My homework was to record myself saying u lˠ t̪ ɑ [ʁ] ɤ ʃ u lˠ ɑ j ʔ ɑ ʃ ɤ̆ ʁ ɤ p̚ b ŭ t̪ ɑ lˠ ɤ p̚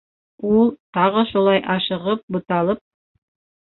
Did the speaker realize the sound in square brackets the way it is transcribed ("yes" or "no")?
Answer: yes